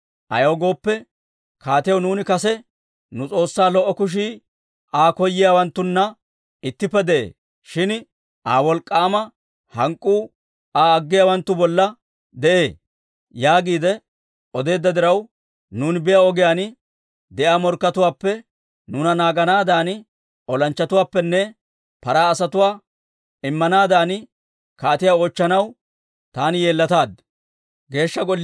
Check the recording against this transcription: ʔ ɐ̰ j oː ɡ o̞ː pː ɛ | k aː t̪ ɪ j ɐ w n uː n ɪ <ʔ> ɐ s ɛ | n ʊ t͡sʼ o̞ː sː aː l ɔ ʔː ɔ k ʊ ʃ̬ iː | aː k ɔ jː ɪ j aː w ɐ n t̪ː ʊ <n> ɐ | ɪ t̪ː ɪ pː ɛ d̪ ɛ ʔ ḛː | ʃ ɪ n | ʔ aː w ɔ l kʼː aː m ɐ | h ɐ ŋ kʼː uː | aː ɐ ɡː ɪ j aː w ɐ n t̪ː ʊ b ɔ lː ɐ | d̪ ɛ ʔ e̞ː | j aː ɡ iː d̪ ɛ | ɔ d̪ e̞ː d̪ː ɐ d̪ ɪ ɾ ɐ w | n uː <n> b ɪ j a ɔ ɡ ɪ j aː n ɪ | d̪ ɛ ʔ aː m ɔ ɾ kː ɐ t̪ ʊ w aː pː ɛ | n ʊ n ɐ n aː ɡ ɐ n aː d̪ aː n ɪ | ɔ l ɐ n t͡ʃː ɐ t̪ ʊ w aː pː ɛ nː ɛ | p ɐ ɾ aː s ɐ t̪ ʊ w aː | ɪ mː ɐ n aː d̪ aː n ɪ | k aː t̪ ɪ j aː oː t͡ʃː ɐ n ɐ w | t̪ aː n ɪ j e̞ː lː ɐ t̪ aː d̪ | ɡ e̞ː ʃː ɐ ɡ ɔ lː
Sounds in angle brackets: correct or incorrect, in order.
incorrect: k, incorrect: nː, correct

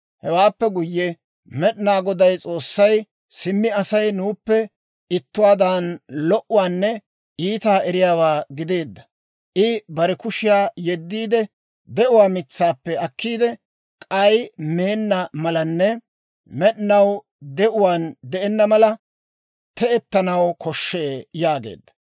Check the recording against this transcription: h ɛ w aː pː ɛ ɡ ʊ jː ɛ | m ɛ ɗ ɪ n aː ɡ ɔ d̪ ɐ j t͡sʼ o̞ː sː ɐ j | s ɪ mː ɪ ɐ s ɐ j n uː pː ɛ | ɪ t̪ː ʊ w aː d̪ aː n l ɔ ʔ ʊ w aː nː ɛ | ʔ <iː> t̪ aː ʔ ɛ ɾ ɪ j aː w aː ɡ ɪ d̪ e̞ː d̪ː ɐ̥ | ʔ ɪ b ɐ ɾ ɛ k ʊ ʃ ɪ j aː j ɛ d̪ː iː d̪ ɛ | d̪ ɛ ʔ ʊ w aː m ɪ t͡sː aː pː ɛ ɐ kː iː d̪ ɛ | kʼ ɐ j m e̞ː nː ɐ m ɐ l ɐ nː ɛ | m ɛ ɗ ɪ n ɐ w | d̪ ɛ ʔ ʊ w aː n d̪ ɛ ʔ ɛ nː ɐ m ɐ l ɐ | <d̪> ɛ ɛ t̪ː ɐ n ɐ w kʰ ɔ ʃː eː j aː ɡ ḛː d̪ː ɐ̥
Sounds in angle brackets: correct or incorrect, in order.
correct, incorrect: t̪

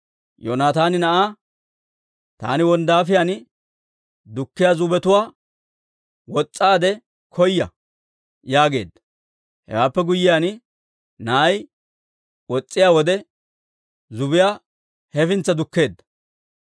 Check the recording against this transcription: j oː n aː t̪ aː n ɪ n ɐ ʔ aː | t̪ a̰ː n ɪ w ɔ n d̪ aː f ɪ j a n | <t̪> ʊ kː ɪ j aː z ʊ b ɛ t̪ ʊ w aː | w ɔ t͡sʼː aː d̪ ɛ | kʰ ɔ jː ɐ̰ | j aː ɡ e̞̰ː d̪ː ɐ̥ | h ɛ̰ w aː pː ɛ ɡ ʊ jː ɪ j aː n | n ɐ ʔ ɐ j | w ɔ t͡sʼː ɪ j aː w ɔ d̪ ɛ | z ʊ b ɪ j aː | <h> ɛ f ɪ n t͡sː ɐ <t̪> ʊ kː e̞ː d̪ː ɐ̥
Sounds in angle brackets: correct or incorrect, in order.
incorrect: d̪, correct, incorrect: d̪

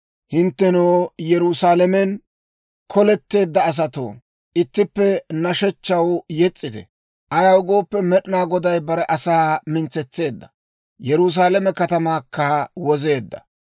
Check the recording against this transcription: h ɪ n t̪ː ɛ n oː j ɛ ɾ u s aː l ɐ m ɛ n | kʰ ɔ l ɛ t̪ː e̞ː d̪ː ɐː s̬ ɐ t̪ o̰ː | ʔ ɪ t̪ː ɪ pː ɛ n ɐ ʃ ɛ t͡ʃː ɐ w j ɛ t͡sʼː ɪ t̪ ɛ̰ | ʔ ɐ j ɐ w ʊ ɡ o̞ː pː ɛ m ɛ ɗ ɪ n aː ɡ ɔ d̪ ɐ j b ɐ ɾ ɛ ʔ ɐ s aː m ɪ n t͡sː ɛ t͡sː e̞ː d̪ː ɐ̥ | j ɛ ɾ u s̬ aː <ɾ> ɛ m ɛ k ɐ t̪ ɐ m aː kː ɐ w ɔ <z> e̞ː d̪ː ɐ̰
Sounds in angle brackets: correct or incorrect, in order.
incorrect: l, correct

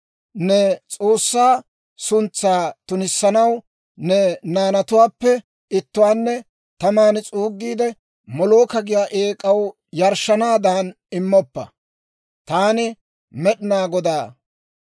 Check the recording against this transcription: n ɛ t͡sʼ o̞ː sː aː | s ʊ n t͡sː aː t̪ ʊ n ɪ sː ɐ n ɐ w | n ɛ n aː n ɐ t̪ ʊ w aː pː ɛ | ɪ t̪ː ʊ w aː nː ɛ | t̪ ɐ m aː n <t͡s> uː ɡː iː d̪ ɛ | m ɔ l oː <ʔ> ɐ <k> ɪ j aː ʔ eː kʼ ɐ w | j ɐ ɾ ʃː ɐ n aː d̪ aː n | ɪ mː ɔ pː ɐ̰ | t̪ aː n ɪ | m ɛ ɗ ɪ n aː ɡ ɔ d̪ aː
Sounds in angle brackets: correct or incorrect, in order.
incorrect: t͡sʼ, incorrect: k, incorrect: ɡ

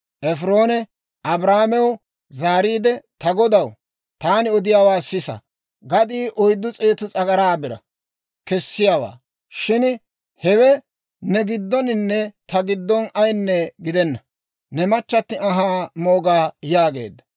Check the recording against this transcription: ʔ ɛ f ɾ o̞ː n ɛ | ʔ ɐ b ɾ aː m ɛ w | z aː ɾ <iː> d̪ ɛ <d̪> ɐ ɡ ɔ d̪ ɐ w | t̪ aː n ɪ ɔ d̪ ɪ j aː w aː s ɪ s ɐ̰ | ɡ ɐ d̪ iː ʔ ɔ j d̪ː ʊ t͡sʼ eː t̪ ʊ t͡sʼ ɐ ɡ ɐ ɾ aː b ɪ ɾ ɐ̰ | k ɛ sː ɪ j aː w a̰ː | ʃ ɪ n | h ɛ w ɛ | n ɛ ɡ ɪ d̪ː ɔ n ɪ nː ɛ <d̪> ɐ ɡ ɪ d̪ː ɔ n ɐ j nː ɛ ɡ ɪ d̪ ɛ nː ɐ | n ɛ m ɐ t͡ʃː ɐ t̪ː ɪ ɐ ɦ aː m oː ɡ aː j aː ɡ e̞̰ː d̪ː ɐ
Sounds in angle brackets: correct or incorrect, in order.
correct, incorrect: t̪, incorrect: t̪

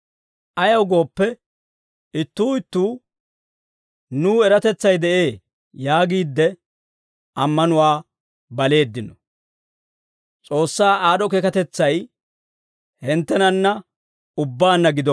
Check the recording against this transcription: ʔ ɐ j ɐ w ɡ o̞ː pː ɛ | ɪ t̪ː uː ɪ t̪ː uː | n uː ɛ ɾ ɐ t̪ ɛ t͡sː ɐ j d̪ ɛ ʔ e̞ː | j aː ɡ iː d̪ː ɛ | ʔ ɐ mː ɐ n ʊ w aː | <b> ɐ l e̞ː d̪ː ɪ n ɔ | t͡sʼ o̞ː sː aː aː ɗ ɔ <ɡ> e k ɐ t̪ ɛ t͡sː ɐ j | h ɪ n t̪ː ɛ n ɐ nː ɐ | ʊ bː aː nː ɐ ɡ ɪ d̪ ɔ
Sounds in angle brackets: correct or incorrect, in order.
correct, incorrect: k

